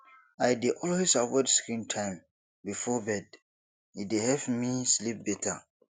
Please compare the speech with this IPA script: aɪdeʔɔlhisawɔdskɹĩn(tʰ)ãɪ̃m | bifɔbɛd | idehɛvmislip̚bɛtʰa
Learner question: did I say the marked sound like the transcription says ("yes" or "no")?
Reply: yes